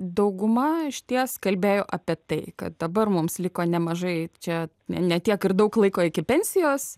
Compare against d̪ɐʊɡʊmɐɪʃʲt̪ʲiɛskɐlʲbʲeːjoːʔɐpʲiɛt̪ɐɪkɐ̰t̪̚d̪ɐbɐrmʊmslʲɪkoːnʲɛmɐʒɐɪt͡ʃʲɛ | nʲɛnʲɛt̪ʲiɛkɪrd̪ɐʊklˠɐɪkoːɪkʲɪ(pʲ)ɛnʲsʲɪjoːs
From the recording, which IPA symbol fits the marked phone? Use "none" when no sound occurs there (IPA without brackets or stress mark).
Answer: pʲ